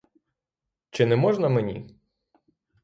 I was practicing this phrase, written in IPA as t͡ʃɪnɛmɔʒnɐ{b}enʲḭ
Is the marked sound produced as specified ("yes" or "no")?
no